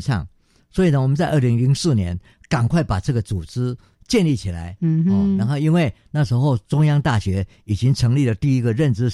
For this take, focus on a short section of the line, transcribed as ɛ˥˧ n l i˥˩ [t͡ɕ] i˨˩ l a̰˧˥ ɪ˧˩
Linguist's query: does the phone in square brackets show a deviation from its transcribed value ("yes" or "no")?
yes